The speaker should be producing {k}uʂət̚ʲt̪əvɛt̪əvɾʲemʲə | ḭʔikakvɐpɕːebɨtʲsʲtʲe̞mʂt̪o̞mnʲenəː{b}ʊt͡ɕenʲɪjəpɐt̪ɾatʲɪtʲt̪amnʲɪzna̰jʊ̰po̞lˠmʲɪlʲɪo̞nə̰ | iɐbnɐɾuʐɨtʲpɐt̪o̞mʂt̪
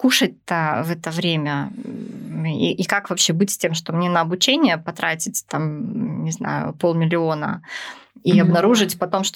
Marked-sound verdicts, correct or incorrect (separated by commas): correct, correct